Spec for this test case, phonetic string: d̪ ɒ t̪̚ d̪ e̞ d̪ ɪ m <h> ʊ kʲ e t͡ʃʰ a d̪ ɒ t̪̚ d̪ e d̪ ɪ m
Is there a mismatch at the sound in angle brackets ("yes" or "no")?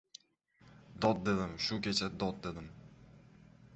yes